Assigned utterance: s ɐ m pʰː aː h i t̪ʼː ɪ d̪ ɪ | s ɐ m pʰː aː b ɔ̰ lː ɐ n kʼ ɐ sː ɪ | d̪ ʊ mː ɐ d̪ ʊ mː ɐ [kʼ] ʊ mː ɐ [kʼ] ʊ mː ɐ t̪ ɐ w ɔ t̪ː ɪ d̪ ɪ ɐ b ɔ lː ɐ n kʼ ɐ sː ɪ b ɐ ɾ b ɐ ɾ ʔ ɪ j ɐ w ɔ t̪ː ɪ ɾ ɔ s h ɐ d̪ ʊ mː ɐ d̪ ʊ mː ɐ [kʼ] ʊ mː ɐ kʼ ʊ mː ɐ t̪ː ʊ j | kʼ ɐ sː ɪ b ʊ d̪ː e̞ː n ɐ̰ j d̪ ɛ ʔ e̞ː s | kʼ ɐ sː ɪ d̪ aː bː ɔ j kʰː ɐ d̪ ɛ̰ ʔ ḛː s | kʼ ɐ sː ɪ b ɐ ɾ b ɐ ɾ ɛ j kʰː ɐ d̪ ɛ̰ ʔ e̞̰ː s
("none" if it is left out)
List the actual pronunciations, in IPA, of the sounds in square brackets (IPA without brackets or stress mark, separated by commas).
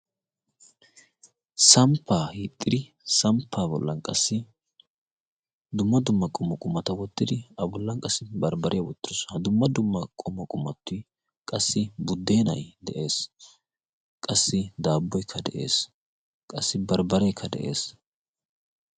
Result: kʼ, kʼ, kʼ